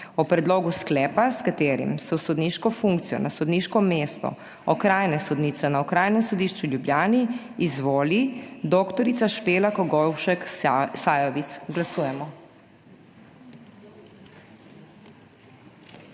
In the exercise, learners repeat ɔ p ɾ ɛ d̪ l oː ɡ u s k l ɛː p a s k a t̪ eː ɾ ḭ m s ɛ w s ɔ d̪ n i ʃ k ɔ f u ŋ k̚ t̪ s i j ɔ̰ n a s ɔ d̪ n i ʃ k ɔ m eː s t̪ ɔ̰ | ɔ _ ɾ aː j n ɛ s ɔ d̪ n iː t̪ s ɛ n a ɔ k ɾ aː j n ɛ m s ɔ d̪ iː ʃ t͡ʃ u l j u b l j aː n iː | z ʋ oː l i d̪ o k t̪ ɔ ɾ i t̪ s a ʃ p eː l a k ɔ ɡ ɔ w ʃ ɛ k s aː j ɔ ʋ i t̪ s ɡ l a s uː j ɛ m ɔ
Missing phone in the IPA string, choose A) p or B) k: B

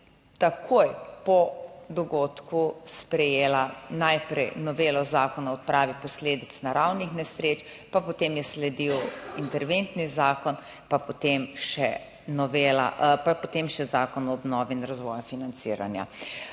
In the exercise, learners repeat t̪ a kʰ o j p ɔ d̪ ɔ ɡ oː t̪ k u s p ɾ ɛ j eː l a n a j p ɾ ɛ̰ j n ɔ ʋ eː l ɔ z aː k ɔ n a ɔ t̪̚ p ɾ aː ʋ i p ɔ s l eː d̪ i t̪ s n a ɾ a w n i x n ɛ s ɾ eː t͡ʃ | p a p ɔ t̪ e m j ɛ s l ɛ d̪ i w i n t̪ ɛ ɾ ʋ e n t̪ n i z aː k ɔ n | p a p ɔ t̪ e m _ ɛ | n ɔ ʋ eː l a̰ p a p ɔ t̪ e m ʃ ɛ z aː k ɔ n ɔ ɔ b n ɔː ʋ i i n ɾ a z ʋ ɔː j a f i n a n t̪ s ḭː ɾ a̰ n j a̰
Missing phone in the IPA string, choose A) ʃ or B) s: A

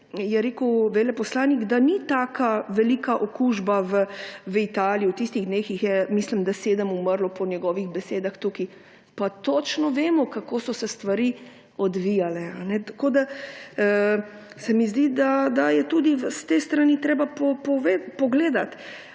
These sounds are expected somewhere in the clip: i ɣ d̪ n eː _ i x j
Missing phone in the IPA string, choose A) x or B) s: A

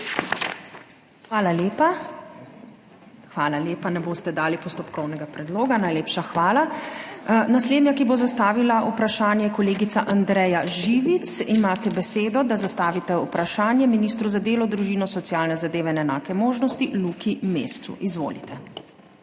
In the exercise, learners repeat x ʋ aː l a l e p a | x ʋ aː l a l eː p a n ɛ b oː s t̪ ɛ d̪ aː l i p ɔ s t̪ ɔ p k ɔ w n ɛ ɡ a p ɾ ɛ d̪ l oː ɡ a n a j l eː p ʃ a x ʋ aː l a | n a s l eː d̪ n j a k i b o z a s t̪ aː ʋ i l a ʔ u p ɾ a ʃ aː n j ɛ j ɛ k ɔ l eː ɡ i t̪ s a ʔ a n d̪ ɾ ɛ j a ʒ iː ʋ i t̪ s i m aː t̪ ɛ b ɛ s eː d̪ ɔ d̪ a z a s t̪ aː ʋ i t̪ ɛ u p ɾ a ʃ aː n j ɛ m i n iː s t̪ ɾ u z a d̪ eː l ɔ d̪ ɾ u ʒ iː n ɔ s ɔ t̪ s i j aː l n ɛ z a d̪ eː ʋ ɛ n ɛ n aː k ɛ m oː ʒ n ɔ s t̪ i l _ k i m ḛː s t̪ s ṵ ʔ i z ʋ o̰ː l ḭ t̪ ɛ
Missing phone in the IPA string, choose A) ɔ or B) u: B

